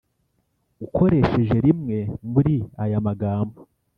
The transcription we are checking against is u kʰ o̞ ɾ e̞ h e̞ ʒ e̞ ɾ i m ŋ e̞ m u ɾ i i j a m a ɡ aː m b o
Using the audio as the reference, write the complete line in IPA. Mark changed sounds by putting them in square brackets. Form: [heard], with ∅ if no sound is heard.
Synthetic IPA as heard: u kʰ o̞ ɾ e̞ [ʃ] e̞ ʒ e̞ ɾ i m ŋ e̞ m u ɾ i [a] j a m a ɡ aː m b o